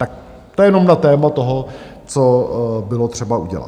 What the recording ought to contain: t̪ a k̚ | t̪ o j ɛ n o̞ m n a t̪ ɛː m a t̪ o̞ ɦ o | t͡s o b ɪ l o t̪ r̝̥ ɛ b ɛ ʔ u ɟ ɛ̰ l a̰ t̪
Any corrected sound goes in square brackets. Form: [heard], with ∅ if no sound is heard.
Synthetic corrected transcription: t̪ a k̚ | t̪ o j ɛ n o̞ m n a t̪ ɛː m a t̪ o̞ ɦ o | t͡s o b ɪ l o t̪ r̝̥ ɛ b [a] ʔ u ɟ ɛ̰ l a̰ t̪